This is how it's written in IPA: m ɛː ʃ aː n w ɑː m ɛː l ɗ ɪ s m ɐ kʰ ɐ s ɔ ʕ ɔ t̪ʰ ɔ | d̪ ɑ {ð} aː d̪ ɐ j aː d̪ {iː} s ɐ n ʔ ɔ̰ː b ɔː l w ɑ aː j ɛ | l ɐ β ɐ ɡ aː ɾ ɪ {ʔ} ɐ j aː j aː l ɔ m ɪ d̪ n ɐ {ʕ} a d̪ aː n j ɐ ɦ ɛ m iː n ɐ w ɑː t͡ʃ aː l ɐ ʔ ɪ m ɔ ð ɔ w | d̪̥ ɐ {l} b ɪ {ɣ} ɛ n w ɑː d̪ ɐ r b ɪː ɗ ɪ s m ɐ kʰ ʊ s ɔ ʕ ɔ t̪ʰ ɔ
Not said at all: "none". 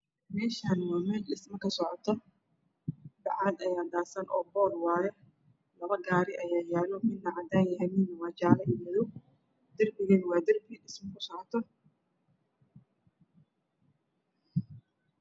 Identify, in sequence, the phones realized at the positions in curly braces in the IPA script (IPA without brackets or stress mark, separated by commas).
ʕ, aː, ʔ, ʕ, r, ɣ